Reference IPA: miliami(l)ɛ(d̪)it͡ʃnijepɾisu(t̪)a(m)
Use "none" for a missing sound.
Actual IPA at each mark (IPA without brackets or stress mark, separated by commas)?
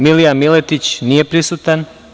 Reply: l, t̪, t̪, n